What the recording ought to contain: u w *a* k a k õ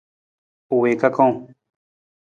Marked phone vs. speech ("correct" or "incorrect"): incorrect